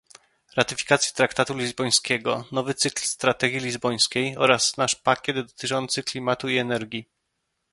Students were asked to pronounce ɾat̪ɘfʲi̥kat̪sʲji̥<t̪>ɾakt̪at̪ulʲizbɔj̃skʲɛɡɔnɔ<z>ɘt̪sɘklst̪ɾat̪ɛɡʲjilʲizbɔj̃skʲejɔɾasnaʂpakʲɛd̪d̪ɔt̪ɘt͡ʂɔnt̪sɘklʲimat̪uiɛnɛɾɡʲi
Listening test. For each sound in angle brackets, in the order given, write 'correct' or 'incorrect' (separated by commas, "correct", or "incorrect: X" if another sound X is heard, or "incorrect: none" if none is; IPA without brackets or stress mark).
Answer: correct, incorrect: v